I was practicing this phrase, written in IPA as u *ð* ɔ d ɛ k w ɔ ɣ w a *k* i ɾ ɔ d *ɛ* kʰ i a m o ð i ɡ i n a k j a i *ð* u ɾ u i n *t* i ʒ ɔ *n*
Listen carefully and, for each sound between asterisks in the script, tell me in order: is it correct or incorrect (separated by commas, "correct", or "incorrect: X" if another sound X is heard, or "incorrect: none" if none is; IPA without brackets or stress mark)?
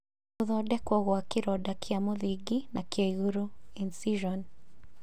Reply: correct, correct, incorrect: a, incorrect: ɣ, incorrect: s, correct